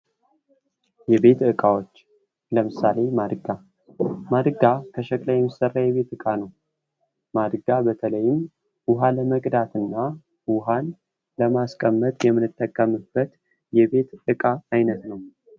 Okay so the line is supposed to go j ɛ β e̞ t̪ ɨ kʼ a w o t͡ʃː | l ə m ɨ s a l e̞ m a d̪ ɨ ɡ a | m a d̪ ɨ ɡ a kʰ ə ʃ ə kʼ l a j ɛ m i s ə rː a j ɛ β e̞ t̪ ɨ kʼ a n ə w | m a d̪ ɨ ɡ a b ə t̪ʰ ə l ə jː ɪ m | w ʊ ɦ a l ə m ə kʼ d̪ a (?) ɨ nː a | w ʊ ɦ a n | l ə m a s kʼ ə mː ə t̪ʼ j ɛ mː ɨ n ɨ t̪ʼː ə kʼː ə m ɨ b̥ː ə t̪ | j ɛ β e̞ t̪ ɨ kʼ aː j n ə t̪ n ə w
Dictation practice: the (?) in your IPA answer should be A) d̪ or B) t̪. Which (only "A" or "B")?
B